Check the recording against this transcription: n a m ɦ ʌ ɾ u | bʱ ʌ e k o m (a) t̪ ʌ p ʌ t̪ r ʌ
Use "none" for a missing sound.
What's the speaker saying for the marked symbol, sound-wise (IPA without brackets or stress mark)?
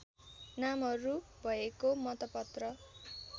ʌ